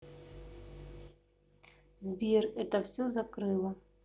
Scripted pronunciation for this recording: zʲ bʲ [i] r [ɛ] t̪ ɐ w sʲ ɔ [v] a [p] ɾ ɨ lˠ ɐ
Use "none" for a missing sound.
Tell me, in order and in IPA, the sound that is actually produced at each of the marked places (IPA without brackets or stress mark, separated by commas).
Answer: i, ɛ, z, k